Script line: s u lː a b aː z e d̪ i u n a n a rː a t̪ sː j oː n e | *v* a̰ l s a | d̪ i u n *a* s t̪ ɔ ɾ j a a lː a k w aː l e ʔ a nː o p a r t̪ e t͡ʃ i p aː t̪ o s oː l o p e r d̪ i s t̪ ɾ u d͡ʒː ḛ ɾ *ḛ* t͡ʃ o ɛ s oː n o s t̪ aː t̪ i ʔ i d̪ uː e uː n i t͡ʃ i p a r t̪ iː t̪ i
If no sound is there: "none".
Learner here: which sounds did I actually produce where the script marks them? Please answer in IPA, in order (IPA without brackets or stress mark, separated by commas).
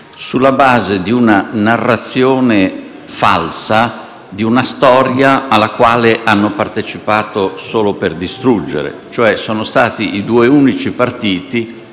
f, a, ḛ